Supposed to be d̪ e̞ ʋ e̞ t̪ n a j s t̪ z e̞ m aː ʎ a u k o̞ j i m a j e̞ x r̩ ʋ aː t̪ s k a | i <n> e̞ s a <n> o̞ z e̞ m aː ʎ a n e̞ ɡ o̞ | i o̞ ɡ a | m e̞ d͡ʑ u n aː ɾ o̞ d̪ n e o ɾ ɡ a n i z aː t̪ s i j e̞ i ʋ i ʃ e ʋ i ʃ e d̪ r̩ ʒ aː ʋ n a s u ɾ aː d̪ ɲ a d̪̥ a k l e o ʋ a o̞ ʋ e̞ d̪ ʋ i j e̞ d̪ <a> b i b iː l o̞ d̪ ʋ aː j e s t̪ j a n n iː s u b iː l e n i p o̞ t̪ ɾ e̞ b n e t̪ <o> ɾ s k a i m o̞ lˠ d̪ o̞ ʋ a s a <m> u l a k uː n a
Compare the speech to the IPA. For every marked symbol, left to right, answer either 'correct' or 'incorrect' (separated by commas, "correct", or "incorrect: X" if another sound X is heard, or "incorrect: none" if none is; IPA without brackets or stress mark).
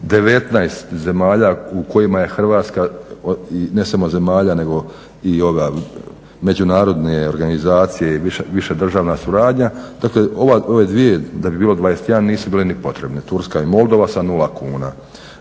correct, incorrect: m, correct, incorrect: u, incorrect: n